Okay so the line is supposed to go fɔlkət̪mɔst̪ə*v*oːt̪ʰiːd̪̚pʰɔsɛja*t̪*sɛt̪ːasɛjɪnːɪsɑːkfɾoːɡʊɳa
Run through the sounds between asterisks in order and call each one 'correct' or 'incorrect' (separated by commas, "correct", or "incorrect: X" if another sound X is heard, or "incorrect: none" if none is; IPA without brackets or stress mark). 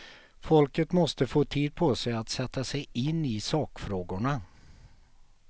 incorrect: f, correct